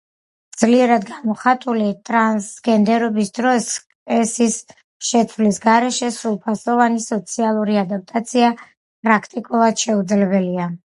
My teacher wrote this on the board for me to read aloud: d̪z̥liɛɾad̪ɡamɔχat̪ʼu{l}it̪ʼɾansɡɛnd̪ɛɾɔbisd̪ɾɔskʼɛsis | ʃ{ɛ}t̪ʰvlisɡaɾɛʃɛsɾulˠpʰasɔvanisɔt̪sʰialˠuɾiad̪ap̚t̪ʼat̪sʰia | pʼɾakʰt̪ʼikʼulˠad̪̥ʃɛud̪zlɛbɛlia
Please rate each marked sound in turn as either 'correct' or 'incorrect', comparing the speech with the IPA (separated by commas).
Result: correct, correct